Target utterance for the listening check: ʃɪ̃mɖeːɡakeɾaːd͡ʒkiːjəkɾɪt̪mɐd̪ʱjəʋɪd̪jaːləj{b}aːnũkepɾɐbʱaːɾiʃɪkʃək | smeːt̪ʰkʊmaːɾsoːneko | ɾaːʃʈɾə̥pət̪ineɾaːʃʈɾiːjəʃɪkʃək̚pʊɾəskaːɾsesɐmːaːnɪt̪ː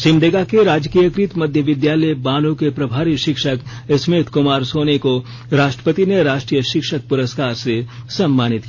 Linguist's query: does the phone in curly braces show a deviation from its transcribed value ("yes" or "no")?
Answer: no